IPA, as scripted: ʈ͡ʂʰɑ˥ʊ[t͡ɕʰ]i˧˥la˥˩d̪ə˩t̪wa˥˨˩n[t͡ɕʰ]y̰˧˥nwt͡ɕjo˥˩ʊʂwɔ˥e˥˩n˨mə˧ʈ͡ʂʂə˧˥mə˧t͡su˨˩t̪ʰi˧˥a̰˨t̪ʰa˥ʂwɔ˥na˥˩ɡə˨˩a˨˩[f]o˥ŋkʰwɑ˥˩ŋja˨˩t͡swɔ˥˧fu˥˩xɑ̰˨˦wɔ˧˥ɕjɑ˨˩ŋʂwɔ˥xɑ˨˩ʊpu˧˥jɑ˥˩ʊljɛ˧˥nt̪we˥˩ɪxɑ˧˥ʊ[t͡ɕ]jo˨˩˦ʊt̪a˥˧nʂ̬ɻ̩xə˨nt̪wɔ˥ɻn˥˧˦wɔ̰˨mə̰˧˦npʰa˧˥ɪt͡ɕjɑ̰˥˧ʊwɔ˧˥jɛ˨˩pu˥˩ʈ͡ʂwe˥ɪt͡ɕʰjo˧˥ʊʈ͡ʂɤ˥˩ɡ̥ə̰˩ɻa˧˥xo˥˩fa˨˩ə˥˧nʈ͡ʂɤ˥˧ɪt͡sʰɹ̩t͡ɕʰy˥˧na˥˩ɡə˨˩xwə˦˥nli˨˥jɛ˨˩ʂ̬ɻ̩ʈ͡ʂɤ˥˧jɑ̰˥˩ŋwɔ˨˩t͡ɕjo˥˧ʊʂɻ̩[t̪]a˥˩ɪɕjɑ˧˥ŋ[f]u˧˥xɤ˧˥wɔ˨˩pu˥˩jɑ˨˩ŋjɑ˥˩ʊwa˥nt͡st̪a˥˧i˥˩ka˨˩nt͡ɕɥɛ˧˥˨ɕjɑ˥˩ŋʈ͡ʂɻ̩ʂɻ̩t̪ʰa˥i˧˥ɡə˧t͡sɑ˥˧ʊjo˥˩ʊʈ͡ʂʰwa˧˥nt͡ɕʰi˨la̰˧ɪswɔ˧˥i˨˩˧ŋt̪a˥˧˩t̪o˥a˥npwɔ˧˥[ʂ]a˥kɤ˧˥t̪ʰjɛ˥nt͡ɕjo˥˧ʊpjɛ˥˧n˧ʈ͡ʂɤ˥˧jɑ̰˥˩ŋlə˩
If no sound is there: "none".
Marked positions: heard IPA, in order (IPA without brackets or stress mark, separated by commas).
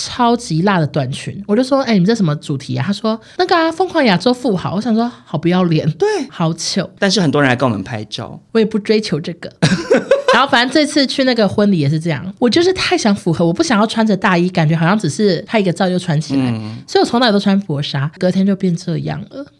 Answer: t͡ɕ, t͡ɕʰ, f, t͡ɕʰ, t̪ʰ, f, ʂ